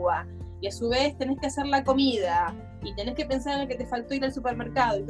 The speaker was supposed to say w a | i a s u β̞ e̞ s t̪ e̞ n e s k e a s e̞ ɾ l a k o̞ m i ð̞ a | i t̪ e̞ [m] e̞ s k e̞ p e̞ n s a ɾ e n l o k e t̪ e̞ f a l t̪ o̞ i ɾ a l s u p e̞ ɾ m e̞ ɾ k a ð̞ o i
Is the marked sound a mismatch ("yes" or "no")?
yes